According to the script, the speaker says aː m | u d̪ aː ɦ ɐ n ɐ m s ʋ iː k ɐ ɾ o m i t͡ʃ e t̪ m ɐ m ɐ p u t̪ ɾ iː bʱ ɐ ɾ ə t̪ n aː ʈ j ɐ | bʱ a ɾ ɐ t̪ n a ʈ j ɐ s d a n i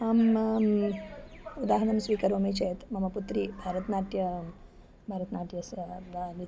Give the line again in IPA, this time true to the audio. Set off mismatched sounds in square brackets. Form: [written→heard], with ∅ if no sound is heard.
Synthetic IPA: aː m | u d̪ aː ɦ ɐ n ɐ m s ʋ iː k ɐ ɾ o m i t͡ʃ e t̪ m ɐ m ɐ p u t̪ ɾ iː bʱ [ɐ→a] ɾ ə t̪ n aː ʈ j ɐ | bʱ a ɾ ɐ t̪ n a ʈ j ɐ s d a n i

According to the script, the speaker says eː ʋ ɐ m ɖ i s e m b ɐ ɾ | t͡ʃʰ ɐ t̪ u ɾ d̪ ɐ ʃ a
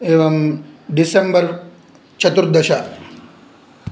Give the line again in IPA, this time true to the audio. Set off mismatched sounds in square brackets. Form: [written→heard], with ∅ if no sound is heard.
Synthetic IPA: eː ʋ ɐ m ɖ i s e m b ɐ ɾ | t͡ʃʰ ɐ t̪ u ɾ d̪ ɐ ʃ a

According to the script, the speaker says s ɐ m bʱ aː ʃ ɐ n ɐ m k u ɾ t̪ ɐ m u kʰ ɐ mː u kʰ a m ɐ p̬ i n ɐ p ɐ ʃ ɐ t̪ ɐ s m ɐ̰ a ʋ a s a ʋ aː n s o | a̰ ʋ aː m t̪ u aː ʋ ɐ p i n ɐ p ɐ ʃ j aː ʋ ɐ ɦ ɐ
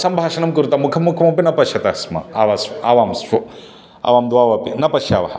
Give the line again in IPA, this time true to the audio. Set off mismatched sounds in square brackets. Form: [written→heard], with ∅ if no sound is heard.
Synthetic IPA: s ɐ m bʱ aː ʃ ɐ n ɐ m k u ɾ t̪ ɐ m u kʰ ɐ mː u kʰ [a→ɐ] m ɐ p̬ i n ɐ p ɐ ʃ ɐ t̪ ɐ s m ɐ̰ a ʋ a s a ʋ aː [n→m] s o | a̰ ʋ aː m [t̪→d̪] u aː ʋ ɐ p i n ɐ p ɐ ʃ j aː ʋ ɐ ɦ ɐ

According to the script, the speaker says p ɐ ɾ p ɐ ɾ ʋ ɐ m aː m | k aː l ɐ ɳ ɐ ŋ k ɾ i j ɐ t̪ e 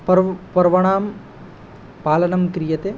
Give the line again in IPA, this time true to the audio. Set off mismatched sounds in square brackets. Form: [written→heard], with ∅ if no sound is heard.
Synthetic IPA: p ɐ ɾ p ɐ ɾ ʋ ɐ [m→ɳ] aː m | [k→p] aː l ɐ [ɳ→n] ɐ [ŋ→m] k ɾ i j ɐ t̪ e

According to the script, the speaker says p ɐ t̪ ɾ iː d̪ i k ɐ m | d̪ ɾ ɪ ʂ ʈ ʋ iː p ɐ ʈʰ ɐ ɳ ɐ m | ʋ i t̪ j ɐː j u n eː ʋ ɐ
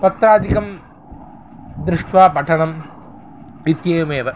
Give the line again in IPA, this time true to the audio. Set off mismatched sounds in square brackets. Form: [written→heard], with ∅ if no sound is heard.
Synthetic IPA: p ɐ t̪ ɾ [iː→aː] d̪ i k ɐ m | d̪ ɾ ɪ ʂ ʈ ʋ [iː→aː] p ɐ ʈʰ ɐ ɳ ɐ m | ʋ i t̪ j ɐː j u [n→m] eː ʋ ɐ

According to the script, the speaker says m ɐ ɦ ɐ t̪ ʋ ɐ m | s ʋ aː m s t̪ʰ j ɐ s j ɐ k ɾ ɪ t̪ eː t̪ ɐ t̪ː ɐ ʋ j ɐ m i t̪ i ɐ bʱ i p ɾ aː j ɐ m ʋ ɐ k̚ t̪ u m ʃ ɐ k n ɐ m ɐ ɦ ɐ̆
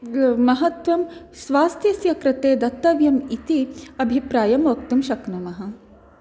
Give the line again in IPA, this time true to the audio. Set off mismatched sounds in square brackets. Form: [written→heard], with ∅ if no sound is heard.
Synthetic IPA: m ɐ ɦ ɐ t̪ ʋ ɐ m | s ʋ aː [m→∅] s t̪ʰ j ɐ s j ɐ k ɾ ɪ t̪ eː [t̪→d̪] ɐ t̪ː ɐ ʋ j ɐ m i t̪ i ɐ bʱ i p ɾ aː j ɐ m ʋ ɐ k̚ t̪ u m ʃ ɐ k n ɐ m ɐ ɦ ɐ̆

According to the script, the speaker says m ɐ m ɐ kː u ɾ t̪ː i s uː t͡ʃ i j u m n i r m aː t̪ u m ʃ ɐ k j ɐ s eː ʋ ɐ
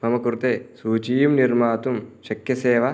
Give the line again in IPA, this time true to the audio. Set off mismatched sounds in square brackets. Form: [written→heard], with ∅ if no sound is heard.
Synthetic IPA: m ɐ m ɐ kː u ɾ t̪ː [i→e] s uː t͡ʃ i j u m n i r m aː t̪ u m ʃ ɐ k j ɐ s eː ʋ ɐ

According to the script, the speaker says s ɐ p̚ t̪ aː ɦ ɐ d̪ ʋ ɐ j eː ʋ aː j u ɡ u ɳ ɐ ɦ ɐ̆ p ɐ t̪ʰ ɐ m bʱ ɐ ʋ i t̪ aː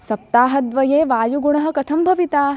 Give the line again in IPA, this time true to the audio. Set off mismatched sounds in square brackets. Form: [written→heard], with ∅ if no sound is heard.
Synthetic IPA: s ɐ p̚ t̪ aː ɦ ɐ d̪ ʋ ɐ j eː ʋ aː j u ɡ u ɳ ɐ ɦ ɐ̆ [p→k] ɐ t̪ʰ ɐ m bʱ ɐ ʋ i t̪ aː

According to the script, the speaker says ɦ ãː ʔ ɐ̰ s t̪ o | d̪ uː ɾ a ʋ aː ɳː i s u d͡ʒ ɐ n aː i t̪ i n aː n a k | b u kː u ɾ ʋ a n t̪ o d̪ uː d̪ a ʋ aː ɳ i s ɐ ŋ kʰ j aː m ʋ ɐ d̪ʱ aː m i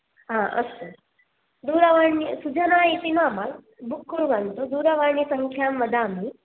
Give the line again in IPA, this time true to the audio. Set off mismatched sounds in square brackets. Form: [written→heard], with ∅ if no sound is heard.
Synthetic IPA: ɦ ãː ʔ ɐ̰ s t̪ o | d̪ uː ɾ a ʋ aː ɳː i s u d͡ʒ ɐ n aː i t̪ i n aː [n→m] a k | b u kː u ɾ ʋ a n t̪ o d̪ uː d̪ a ʋ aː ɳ i s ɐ ŋ kʰ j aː m ʋ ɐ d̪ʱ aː m i

